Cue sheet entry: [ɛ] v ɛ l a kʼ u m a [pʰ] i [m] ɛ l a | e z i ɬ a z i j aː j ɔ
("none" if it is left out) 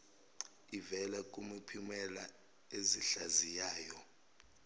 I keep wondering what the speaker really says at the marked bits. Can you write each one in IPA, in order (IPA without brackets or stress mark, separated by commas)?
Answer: i, pʰ, m